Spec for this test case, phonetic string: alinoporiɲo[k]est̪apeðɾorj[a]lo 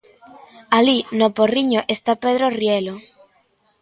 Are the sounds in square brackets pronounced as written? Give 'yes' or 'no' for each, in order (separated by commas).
no, no